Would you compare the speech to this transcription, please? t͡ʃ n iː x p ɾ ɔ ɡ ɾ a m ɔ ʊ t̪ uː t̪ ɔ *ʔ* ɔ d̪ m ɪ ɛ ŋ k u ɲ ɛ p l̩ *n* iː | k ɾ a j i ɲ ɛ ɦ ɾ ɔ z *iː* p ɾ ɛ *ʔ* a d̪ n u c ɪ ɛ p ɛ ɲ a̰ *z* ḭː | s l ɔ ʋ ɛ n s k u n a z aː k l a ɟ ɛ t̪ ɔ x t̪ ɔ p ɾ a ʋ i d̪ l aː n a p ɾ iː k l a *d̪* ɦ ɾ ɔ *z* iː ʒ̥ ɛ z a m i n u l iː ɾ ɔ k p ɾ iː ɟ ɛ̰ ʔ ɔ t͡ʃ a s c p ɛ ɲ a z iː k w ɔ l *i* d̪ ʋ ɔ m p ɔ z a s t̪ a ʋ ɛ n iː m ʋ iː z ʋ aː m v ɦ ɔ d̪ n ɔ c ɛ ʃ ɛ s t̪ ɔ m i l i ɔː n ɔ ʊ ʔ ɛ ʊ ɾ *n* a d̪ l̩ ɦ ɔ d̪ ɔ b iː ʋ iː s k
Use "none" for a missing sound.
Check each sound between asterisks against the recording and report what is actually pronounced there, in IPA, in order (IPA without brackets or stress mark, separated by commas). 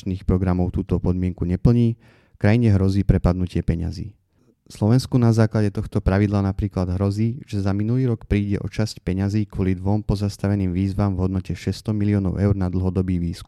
p, ɲ, iː, p, z, d̪, z, i, n